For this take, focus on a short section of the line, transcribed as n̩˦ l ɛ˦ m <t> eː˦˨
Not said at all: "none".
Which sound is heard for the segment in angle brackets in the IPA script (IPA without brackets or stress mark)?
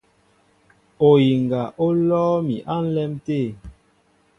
t